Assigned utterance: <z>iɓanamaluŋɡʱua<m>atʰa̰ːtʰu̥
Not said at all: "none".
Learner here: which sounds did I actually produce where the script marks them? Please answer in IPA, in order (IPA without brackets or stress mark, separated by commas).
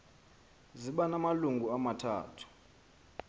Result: z, m